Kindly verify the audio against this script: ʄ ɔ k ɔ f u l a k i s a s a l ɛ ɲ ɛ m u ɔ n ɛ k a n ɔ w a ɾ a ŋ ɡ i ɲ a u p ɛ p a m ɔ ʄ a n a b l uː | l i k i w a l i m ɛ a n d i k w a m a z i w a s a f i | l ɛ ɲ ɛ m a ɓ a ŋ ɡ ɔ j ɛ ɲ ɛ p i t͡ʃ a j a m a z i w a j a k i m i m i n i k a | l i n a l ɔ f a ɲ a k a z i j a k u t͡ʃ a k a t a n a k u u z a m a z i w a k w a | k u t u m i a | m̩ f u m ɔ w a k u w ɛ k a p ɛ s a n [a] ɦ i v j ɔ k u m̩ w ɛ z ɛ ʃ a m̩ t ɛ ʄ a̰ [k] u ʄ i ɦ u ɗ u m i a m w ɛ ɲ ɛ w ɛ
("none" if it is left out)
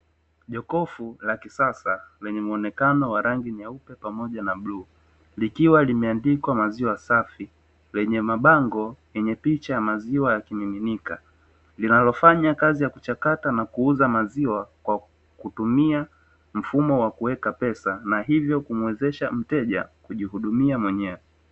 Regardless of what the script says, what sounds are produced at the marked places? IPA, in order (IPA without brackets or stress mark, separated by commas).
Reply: a, k